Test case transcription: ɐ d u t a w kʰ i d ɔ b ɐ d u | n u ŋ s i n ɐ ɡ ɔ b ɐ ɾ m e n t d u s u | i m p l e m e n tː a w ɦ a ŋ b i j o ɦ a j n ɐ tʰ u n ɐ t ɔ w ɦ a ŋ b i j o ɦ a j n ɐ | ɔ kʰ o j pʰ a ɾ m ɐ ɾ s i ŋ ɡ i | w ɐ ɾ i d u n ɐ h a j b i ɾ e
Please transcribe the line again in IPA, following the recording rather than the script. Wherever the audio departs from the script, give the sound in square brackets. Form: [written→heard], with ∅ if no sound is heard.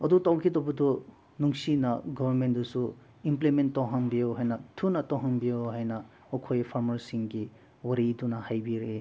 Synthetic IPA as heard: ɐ d u t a w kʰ i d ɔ b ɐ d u | n u ŋ s i n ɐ ɡ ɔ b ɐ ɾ m e n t d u s u | i m p l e m e n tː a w ɦ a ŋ b i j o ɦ a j n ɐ tʰ u n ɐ t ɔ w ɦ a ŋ b i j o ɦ a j n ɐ | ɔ kʰ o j pʰ a ɾ m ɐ ɾ s i ŋ ɡ i | w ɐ ɾ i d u n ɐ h a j b i ɾ e